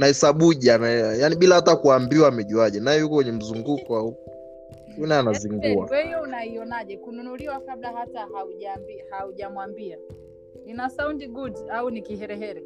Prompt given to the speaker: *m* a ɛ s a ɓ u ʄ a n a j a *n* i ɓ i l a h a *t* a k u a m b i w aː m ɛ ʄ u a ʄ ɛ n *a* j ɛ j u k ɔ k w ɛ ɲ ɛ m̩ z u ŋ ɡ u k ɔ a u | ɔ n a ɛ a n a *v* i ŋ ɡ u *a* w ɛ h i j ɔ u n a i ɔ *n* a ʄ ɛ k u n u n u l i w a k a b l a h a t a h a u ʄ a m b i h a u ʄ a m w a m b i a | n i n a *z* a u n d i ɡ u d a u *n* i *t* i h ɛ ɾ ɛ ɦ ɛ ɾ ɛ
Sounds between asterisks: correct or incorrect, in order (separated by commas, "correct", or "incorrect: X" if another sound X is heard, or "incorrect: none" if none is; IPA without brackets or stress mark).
incorrect: n, correct, correct, correct, incorrect: z, correct, correct, incorrect: s, correct, incorrect: k